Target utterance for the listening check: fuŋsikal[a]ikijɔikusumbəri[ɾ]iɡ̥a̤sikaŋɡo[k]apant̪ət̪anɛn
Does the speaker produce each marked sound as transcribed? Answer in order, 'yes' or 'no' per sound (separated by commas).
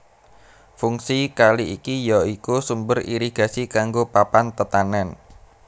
no, yes, no